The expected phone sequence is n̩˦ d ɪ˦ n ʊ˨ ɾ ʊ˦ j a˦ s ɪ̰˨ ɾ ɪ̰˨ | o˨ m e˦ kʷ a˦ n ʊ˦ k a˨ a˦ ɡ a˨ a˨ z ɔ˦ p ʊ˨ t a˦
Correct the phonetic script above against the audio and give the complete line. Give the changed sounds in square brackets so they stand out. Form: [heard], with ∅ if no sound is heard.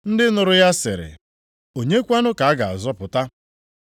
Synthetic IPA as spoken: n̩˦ d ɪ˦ n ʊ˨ ɾ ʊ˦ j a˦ s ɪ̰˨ ɾ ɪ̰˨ | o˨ [ɲ] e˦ kʷ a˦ n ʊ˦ k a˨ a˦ ɡ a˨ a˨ z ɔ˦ p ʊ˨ t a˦